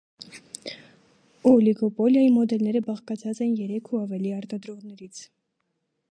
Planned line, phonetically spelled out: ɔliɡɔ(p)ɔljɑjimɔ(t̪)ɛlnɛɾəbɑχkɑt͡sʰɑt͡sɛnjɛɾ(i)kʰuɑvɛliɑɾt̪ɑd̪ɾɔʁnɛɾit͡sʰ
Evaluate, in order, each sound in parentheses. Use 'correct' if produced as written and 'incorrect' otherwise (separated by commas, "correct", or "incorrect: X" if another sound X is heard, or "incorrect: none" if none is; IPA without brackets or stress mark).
correct, incorrect: d̪, incorrect: ɛ